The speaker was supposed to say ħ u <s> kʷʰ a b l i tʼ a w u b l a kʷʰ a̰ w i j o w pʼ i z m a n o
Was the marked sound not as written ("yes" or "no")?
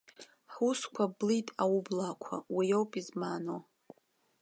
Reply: no